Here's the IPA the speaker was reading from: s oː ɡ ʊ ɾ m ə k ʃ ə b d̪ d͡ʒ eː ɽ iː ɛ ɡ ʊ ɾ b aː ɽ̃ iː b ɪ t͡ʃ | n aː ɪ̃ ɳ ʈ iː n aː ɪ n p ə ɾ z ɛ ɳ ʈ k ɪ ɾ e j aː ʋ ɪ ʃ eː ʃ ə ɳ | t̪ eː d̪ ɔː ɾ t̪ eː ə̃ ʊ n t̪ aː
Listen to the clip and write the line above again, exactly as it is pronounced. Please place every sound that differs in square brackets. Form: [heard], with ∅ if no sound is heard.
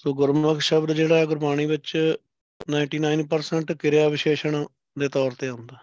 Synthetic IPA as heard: s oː ɡ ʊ ɾ m ə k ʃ ə b d̪ d͡ʒ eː ɽ [aː] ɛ ɡ ʊ ɾ b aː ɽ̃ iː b ɪ t͡ʃ | n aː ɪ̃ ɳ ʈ iː n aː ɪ n p ə ɾ [s] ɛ ɳ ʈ k ɪ ɾ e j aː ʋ ɪ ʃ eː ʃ ə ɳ | [d̪] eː [t̪] ɔː ɾ t̪ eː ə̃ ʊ n [d̪] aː